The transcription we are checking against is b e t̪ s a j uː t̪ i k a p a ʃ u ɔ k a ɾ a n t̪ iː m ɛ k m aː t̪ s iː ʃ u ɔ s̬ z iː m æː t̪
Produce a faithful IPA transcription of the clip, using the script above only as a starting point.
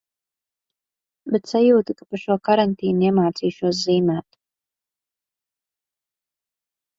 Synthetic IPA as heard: b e t̪ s a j uː t̪ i k a p a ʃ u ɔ k a ɾ a n t̪ iː n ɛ m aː t̪ s iː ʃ u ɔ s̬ z iː m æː t̪